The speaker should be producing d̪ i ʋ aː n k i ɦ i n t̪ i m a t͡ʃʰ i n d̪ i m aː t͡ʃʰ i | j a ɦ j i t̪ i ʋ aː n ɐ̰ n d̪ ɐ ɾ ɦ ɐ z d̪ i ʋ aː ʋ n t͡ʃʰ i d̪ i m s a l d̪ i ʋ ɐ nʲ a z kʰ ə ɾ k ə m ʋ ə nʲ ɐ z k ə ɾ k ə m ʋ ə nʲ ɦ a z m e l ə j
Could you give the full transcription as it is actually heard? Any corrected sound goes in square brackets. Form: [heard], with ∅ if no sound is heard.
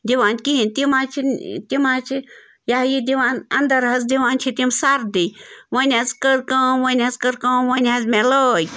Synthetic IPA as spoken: d̪ i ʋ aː n k i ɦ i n t̪ i m a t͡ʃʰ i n [t̪] i m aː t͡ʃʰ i | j a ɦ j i [d̪] i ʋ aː n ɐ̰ n d̪ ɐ ɾ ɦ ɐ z d̪ i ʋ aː [∅] n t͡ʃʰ i [t̪] i m s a [ɾ] d̪ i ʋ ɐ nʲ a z [k] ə ɾ k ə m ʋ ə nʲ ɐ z k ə ɾ k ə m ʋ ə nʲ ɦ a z m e l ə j